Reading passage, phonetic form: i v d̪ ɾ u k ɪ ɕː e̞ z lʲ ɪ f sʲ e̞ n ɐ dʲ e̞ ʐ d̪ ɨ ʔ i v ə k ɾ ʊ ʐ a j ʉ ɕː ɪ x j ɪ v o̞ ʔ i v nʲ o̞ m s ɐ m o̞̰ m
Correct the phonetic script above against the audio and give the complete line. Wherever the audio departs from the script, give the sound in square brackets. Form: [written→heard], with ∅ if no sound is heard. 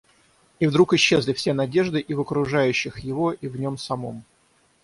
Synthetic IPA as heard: i v d̪ ɾ u k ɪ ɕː e̞ z lʲ ɪ f sʲ e̞ n ɐ dʲ e̞ ʐ d̪ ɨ ʔ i v ə k ɾ ʊ ʐ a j ʉ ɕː ɪ x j ɪ v o̞ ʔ i v nʲ o̞ m s ɐ m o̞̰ m